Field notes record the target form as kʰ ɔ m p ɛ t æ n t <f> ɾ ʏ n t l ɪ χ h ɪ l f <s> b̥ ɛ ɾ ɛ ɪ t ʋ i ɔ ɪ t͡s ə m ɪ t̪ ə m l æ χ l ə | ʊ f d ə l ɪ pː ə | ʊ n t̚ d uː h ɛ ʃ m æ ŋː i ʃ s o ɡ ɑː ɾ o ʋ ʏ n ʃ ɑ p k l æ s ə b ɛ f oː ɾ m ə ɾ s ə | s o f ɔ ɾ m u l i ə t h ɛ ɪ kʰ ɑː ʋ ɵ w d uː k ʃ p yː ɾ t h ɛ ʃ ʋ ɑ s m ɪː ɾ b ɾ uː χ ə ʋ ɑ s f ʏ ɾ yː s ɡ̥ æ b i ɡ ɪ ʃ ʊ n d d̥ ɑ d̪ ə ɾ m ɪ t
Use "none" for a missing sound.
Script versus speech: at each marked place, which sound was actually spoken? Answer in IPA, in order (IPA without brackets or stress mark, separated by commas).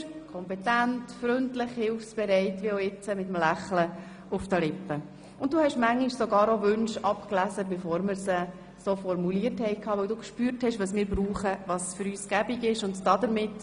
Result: f, s